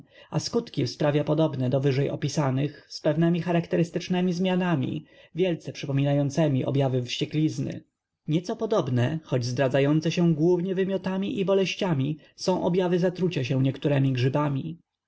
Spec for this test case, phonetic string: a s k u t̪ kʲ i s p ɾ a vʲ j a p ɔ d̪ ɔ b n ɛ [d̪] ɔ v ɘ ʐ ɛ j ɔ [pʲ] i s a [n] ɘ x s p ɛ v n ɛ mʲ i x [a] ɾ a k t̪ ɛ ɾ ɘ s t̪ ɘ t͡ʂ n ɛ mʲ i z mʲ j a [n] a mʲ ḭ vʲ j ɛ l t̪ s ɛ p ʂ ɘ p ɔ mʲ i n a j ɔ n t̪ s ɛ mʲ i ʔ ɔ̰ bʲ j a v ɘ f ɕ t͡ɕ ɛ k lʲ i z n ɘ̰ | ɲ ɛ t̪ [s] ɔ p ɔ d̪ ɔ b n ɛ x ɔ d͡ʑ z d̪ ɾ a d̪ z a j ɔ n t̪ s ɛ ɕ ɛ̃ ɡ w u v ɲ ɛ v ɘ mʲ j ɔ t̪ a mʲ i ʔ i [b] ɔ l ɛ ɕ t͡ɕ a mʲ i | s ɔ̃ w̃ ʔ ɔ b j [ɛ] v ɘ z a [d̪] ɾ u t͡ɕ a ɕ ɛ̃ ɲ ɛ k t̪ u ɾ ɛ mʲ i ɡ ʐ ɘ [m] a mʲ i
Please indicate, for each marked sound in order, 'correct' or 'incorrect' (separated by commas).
correct, correct, correct, correct, correct, correct, correct, incorrect, incorrect, incorrect